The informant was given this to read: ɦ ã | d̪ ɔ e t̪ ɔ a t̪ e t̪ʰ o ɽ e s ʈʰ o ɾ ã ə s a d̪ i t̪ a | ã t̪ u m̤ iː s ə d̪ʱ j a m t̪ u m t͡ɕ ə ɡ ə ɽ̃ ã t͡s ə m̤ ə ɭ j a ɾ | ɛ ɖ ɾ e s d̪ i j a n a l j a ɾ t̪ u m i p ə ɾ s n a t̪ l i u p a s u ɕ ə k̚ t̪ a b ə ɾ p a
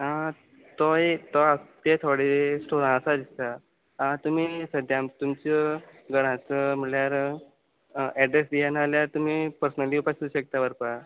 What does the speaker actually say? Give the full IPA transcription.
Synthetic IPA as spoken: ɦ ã | t̪ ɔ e t̪ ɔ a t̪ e t̪ʰ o ɽ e s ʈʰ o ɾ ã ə s a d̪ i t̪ a | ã t̪ u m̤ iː s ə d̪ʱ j a m t̪ u m t͡ɕ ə ɡ ə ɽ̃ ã t͡s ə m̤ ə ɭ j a ɾ | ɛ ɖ ɾ e s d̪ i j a n a l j a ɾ t̪ u m i p ə ɾ s n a l i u p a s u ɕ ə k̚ t̪ a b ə ɾ p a